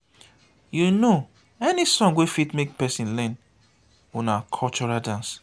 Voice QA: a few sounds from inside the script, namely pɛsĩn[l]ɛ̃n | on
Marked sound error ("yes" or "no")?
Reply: no